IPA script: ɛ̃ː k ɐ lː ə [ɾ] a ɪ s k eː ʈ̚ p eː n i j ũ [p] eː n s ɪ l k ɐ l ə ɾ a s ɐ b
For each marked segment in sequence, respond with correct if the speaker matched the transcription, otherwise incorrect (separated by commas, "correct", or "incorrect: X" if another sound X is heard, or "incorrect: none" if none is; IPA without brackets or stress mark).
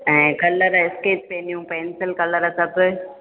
correct, correct